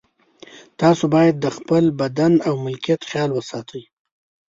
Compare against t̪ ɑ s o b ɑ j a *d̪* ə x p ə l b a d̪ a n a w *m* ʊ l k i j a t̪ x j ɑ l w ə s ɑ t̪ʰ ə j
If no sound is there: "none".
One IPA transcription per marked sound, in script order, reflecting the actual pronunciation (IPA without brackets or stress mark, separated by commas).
d̪ː, m